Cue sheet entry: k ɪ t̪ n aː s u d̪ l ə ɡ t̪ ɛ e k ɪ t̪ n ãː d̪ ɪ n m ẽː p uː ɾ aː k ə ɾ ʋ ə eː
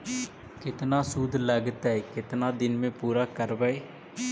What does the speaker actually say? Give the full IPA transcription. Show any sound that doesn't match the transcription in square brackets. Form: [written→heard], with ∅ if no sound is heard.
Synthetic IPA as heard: k ɪ t̪ n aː s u d̪ l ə ɡ t̪ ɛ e k ɪ t̪ n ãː d̪ ɪ n m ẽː p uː ɾ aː k ə ɾ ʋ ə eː

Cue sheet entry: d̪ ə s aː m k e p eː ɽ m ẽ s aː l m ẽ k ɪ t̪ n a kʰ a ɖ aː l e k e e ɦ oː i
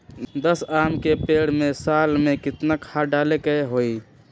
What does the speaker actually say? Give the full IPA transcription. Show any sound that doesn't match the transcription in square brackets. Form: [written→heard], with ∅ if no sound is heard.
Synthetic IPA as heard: d̪ ə s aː m k e p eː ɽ m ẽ s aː l m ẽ k ɪ t̪ n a kʰ a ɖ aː l e k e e ɦ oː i

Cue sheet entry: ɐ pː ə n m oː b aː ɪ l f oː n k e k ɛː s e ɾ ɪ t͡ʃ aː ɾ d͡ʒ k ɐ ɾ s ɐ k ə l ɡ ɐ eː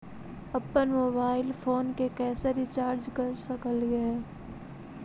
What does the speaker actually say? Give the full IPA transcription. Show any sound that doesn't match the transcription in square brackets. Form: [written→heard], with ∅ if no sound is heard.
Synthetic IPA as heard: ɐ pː ə n m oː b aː ɪ l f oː n k e k ɛː s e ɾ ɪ t͡ʃ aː ɾ d͡ʒ k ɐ ɾ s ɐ k ə l ɡ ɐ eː

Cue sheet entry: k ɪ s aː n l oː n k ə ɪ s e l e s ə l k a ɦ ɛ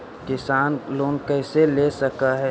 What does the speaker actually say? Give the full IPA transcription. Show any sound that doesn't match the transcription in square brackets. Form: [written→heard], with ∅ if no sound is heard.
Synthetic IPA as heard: k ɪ s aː n l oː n k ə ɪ s e l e s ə [l→∅] k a ɦ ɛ

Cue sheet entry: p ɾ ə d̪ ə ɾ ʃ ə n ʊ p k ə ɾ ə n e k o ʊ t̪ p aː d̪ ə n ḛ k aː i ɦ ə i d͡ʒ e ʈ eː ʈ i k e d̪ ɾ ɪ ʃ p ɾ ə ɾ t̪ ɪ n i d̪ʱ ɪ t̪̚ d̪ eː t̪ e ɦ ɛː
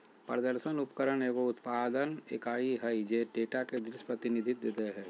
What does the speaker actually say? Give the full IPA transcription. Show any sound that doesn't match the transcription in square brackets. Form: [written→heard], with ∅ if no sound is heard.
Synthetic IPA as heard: p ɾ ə d̪ ə ɾ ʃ ə n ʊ p k ə ɾ ə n e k o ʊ t̪ p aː d̪ ə n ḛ k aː i ɦ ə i d͡ʒ e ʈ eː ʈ [i→a] k e d̪ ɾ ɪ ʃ p ɾ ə [ɾ→∅] t̪ ɪ n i d̪ʱ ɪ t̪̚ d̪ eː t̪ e ɦ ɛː

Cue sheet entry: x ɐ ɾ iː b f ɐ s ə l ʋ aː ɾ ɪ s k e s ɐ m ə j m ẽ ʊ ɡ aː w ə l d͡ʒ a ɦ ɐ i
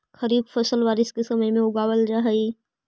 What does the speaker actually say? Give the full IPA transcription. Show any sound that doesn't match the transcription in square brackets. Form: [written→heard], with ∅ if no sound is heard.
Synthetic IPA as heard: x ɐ ɾ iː b f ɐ s ə l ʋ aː ɾ ɪ s k e s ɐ m ə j m ẽ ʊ ɡ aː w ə l d͡ʒ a ɦ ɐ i

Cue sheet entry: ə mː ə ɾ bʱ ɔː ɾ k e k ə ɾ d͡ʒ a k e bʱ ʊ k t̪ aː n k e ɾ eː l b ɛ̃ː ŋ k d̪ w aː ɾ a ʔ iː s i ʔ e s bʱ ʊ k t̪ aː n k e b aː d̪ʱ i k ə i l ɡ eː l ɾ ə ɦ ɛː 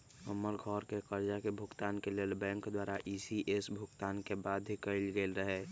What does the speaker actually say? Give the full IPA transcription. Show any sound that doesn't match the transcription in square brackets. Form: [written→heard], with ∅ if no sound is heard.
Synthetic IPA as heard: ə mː ə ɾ [bʱ→ɡʱ] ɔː ɾ k e k ə ɾ d͡ʒ a k e bʱ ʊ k t̪ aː n k e [ɾ→l] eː l b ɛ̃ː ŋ k d̪ w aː ɾ a ʔ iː s i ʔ e s bʱ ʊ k t̪ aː n k e b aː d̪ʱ i k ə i l ɡ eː l ɾ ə ɦ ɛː

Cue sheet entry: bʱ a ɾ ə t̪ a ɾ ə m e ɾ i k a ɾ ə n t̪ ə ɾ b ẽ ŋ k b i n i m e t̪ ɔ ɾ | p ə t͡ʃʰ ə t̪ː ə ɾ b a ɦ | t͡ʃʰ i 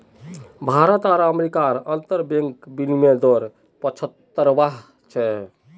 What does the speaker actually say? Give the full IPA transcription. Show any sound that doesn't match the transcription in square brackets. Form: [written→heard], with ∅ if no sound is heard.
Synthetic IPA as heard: bʱ a ɾ ə t̪ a ɾ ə m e ɾ i k a ɾ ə n t̪ ə ɾ b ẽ ŋ k b i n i m e [t̪→d̪] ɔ ɾ | p ə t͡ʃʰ ə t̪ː ə ɾ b a ɦ | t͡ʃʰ [i→ɛ]

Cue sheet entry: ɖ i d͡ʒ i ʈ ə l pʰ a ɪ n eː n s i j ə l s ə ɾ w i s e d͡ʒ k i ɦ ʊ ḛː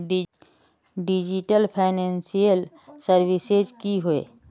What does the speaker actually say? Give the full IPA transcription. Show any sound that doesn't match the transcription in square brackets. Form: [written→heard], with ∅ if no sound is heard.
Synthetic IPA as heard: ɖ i d͡ʒ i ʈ ə l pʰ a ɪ n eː n s i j ə l s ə ɾ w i s e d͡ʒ k i ɦ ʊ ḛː

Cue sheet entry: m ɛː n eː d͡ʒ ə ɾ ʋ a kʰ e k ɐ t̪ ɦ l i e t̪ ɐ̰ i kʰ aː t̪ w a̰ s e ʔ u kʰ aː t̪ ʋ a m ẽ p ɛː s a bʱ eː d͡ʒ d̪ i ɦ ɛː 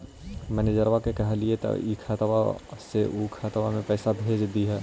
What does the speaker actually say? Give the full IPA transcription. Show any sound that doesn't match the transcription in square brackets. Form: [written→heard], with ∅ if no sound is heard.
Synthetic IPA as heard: m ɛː n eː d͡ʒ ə ɾ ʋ a [kʰ→k] e k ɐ [t̪→∅] ɦ l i e t̪ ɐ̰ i kʰ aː t̪ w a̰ s e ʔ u kʰ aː t̪ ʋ a m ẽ p ɛː s a bʱ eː d͡ʒ d̪ i ɦ ɛː

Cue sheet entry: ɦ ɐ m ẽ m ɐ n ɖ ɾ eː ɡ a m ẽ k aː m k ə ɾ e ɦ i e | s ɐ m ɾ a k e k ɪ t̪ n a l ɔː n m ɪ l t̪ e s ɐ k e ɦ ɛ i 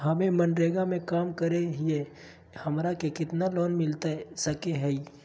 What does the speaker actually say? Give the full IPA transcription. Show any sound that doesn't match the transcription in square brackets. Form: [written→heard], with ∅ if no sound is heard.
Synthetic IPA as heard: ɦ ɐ m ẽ m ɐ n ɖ ɾ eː ɡ a m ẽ k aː m k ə ɾ e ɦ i e | [s→h] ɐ m ɾ a k e k ɪ t̪ n a l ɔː n m ɪ l t̪ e s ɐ k e ɦ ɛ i

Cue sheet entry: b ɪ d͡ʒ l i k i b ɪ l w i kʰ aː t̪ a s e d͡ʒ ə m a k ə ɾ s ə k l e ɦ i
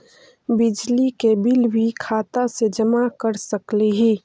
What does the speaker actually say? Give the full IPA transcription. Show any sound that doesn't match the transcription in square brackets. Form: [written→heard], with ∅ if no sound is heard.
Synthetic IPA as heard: b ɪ d͡ʒ l i k [i→e] b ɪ l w i kʰ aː t̪ a s e d͡ʒ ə m a k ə ɾ s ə k l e ɦ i

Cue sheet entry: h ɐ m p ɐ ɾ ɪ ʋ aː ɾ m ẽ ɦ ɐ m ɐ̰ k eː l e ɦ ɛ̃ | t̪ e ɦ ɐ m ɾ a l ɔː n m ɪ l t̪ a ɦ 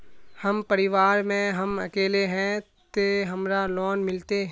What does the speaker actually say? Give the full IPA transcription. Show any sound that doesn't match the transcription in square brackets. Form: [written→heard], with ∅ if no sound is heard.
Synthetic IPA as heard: h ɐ m p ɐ ɾ ɪ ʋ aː ɾ m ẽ ɦ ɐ m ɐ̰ k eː l e ɦ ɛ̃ | t̪ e ɦ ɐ m ɾ a l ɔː n m ɪ l t̪ [a→e] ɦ

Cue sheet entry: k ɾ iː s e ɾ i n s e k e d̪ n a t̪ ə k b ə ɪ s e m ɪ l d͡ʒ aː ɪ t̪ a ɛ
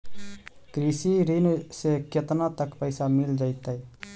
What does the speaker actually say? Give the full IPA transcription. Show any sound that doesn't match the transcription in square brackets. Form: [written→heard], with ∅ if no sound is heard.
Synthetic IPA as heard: k ɾ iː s [e→i] ɾ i n s e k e [d̪→t̪] n a t̪ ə k [b→p] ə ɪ s [e→a] m ɪ l d͡ʒ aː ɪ t̪ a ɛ

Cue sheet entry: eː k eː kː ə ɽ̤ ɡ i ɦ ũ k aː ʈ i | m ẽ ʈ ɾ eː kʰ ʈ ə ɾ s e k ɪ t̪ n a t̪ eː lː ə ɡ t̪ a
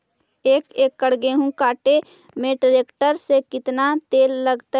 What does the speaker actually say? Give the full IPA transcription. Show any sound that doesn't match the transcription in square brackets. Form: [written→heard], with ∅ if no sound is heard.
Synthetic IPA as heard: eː k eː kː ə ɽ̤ ɡ [i→e] ɦ ũ k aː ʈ [i→e] | m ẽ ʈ ɾ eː [kʰ→k] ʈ ə ɾ s e k ɪ t̪ n a t̪ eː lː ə ɡ t̪ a

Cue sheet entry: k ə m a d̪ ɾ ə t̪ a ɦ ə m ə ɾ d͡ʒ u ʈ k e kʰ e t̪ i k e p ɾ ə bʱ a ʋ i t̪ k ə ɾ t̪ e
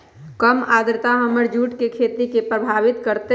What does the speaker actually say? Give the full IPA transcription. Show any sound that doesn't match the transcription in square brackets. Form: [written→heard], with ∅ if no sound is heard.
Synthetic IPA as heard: k ə m a d̪ ɾ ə t̪ a ɦ ə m ə ɾ d͡ʒ u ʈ k e kʰ e t̪ i k e p ɾ ə bʱ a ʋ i t̪ k ə ɾ t̪ e

